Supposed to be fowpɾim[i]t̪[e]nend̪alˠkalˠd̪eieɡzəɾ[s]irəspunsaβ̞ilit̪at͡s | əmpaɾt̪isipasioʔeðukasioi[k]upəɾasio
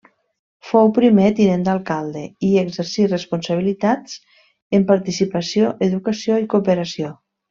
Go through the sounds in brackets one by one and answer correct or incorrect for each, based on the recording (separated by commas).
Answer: incorrect, incorrect, correct, correct